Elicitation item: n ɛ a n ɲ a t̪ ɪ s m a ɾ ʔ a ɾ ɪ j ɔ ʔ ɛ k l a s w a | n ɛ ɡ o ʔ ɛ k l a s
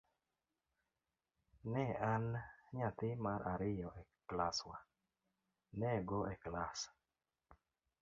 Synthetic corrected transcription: n ɛ a n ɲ a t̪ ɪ m a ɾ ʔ a ɾ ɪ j ɔ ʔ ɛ k l a s w a | n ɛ ɡ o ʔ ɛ k l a s